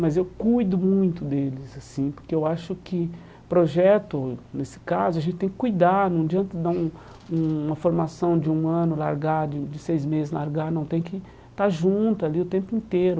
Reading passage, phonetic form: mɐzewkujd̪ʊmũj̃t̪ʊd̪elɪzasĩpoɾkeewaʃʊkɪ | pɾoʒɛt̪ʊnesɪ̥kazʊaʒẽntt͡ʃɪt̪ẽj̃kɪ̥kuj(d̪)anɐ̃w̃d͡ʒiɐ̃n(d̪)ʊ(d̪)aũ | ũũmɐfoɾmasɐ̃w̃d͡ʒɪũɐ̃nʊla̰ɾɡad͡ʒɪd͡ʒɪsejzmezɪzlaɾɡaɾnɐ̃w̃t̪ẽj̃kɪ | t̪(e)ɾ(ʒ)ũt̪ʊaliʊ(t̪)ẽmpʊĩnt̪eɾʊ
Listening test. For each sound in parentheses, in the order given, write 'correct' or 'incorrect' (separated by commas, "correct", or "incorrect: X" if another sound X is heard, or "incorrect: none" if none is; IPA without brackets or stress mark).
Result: correct, incorrect: t̪, correct, incorrect: a, correct, correct